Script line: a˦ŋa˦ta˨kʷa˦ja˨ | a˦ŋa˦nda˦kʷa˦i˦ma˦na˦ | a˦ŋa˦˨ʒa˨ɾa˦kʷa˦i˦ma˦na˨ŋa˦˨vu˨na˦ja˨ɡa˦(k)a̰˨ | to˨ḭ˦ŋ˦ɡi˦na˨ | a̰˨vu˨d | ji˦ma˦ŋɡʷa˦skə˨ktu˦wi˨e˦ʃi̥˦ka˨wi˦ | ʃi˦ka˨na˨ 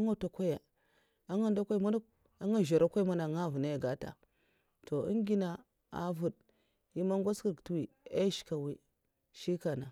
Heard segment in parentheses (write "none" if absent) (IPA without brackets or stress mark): t